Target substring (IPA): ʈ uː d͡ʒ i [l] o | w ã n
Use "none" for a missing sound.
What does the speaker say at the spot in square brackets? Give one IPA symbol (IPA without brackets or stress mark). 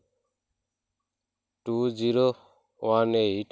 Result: ɾ